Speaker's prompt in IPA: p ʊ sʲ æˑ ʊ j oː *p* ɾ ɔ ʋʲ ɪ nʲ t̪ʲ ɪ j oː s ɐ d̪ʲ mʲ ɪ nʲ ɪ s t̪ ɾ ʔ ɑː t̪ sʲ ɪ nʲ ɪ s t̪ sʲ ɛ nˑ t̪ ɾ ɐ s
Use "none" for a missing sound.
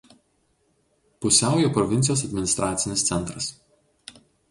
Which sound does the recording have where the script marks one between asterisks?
p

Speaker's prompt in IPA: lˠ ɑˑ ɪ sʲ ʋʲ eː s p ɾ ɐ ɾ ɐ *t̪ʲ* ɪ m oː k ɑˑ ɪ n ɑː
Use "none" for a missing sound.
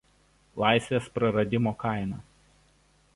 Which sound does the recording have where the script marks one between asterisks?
d̪ʲ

